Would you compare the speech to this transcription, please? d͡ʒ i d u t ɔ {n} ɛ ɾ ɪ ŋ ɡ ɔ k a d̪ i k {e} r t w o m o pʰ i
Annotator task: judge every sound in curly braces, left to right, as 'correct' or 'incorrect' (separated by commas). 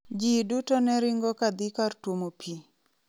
correct, incorrect